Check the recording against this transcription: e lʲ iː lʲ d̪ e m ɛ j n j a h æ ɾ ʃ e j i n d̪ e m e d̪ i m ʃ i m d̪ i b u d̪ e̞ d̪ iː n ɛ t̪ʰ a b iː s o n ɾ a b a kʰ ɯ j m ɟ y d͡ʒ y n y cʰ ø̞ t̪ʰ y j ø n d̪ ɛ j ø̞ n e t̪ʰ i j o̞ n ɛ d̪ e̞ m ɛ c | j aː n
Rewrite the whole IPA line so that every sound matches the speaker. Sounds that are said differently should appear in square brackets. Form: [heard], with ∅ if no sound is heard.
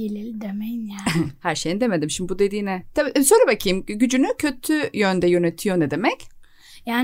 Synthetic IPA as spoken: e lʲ [i] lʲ d̪ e m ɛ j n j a h æ ɾ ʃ e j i n d̪ e m e d̪ i m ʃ i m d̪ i b u d̪ e̞ d̪ iː n ɛ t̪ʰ a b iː s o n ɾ a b a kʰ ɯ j m ɟ y d͡ʒ y n y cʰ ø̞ t̪ʰ y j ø n d̪ ɛ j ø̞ n e t̪ʰ i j o̞ n ɛ d̪ e̞ m ɛ c | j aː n